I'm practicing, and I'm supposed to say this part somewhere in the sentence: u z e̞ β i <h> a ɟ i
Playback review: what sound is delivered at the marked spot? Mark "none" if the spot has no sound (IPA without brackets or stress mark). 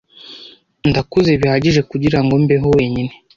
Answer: h